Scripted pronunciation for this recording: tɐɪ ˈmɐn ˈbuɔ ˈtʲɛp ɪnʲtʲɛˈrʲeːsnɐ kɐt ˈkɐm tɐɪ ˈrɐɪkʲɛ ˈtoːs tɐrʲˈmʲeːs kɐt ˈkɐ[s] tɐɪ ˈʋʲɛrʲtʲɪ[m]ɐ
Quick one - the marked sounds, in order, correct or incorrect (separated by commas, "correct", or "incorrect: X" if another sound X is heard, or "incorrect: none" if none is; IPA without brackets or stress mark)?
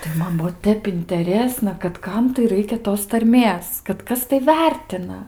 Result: correct, incorrect: n